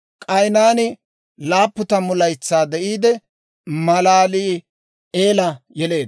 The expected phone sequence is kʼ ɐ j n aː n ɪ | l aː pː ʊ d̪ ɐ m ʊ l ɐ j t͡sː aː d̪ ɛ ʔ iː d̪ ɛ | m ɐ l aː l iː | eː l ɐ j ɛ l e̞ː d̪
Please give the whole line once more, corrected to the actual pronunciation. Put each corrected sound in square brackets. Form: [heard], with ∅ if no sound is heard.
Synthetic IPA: kʼ ɐ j n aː n ɪ | l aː pː ʊ [t̪] ɐ m ʊ l ɐ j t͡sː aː d̪ ɛ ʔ iː d̪ ɛ | m ɐ l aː l iː | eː l ɐ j ɛ l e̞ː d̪